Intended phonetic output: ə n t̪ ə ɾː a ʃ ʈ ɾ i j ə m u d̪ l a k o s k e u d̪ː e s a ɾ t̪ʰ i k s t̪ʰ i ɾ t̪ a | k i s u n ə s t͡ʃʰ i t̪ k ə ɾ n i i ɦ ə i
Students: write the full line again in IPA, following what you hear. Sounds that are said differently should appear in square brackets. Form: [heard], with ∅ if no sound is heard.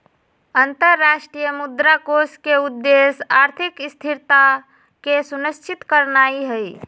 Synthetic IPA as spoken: ə n t̪ ə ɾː a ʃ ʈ ɾ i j ə m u d̪ [ɾ] a k o s k e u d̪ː e s a ɾ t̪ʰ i k s t̪ʰ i ɾ t̪ a | k [e] s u n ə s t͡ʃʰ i t̪ k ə ɾ n [a] i ɦ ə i